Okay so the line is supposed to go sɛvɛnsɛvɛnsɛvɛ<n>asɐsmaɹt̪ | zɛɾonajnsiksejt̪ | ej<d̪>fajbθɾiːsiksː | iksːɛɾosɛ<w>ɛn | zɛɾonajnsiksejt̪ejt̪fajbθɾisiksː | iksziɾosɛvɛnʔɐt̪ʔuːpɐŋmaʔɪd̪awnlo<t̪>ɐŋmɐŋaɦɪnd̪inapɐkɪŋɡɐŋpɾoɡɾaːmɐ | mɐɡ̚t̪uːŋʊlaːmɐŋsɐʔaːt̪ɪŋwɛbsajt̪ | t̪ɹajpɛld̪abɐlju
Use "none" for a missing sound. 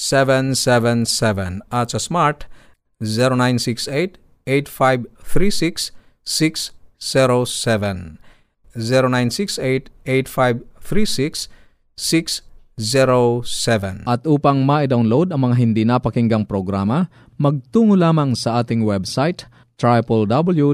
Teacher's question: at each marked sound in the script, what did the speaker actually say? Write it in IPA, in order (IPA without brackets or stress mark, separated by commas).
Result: n, t̪, v, d̪